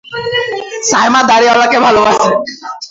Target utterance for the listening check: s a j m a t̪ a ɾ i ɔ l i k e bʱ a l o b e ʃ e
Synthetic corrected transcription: s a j m a d̪ a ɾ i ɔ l a k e bʱ a l o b a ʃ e